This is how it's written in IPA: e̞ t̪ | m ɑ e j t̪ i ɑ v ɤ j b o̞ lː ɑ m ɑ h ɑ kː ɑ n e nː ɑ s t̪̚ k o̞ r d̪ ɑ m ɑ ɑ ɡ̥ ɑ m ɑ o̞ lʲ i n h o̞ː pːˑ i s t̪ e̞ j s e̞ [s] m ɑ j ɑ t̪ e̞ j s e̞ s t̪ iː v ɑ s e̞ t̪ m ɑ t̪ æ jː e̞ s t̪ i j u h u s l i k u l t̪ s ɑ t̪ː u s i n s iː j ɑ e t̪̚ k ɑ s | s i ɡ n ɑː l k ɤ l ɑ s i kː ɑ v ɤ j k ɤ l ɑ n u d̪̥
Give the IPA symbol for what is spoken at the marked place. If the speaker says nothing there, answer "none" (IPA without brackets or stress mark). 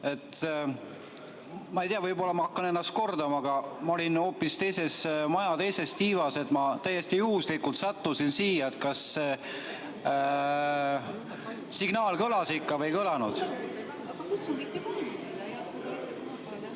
s